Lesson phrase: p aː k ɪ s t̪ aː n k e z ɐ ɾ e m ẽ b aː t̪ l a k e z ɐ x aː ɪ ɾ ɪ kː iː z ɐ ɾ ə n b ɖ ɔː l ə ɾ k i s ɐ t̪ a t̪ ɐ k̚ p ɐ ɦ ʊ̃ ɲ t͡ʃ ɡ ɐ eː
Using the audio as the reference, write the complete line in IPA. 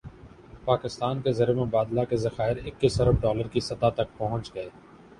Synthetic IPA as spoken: p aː k ɪ s t̪ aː n k e z ɐ ɾ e m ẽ b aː d̪ l a k e z ɐ x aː ɪ ɾ ɪ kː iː s ɐ ɾ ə b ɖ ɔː l ə ɾ k i s ɐ t̪ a t̪ ɐ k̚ p ɐ ɦ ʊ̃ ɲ t͡ʃ ɡ ɐ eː